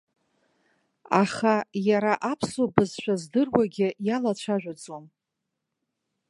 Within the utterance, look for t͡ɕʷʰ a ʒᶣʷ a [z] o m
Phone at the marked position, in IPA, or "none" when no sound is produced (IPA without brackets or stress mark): d͡z